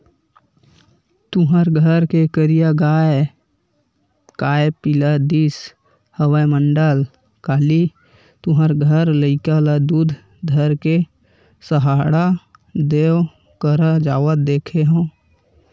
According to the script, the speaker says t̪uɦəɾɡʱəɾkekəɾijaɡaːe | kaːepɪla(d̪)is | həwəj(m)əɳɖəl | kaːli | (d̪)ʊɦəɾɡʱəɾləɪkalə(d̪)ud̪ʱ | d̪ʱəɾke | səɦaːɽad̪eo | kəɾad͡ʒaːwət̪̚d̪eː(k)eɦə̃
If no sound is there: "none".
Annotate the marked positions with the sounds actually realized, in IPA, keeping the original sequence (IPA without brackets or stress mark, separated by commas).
d̪, m, t̪, d̪, kʰ